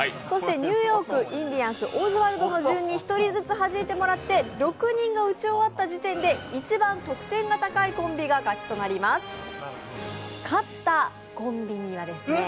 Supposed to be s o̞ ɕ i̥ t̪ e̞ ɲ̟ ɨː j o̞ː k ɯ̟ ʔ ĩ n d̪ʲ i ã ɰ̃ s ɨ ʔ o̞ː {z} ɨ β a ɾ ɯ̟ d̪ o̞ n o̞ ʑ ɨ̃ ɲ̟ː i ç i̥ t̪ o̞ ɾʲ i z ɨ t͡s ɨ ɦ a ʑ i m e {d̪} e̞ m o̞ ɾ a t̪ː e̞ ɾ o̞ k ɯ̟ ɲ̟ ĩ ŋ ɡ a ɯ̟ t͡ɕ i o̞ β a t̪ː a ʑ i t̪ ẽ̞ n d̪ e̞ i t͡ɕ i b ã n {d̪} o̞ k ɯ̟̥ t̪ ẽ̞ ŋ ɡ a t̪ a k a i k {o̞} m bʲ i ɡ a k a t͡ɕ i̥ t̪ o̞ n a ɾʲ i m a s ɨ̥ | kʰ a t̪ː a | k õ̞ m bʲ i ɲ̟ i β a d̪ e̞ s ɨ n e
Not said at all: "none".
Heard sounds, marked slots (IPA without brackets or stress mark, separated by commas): z, t̪, t̪, õ̞